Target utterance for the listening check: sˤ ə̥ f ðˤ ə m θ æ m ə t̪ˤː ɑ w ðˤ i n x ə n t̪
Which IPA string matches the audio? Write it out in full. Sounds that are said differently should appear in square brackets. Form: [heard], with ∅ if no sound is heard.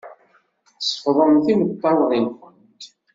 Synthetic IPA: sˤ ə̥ f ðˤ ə m θ [i] m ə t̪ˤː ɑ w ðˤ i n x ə n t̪